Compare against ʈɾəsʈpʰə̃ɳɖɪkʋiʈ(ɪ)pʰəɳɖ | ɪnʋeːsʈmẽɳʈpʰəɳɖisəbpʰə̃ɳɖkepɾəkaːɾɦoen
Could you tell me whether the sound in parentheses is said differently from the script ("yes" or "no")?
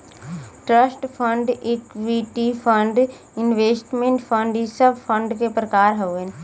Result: yes